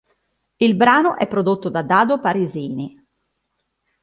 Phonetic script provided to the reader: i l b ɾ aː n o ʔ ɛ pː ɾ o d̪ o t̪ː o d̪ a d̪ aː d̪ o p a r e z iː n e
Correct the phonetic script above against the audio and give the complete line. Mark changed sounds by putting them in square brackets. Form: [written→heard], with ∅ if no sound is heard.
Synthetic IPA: i l b ɾ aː n o ʔ ɛ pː ɾ o d̪ o t̪ː o d̪ a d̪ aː d̪ o p a [r→ɾ] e z iː n [e→i]